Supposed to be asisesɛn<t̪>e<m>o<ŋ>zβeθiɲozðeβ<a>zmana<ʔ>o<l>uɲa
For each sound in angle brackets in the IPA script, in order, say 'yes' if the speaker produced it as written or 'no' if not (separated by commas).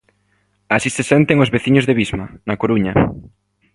yes, no, no, no, no, no